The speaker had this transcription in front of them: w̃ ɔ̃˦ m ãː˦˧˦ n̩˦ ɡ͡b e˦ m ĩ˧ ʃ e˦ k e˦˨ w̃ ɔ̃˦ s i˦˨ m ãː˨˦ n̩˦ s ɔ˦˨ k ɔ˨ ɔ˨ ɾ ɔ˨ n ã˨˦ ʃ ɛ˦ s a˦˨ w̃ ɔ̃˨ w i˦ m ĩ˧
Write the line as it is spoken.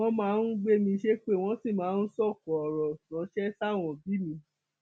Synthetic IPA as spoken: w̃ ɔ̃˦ m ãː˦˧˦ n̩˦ ɡ͡b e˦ m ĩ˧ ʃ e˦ k͡p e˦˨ w̃ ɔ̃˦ s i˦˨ m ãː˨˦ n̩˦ s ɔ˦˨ k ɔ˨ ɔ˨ ɾ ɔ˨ n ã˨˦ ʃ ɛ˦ s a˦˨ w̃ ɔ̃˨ b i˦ m ĩ˧